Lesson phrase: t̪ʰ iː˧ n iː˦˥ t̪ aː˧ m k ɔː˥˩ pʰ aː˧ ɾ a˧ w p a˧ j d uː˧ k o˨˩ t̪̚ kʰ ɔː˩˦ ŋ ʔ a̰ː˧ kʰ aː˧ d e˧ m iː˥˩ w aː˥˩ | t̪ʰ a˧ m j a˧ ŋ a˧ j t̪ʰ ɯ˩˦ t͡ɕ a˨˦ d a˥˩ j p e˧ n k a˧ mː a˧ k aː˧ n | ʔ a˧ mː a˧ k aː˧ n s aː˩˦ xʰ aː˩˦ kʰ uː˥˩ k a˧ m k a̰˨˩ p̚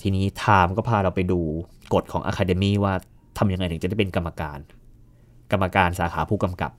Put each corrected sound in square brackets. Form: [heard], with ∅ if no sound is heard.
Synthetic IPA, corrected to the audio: t̪ʰ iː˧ n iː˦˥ [t̪ʰ] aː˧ m k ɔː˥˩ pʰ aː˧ ɾ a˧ w p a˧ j d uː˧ k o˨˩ t̪̚ kʰ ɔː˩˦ ŋ ʔ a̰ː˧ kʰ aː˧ d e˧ m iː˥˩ w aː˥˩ | t̪ʰ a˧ m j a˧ ŋ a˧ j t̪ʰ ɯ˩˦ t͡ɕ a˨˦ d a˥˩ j p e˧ n k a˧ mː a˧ k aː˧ n | [k] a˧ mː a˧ k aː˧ n s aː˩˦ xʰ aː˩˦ [pʰ] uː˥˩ k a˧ m k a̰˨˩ p̚